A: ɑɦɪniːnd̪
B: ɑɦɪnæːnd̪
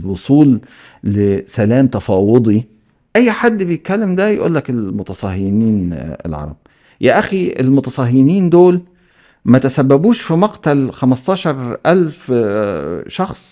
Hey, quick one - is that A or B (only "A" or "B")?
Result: A